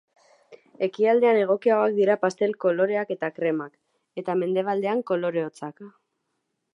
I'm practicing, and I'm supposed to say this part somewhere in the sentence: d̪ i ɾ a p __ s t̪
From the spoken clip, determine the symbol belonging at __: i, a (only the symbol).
a